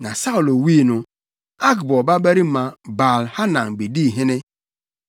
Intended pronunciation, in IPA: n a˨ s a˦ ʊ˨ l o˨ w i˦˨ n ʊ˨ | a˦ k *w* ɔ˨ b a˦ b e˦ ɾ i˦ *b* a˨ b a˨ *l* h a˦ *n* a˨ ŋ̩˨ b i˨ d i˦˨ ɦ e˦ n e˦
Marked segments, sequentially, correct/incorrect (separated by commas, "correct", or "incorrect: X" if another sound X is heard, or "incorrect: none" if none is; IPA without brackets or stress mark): incorrect: b, incorrect: m, correct, correct